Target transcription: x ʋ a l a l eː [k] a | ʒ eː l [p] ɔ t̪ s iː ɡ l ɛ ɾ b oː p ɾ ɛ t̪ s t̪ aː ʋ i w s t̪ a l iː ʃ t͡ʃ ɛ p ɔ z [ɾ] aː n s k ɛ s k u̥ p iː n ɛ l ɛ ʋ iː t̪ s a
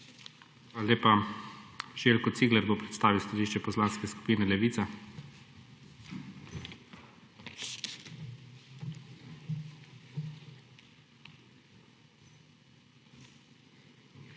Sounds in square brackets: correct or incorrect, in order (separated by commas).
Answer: incorrect, incorrect, incorrect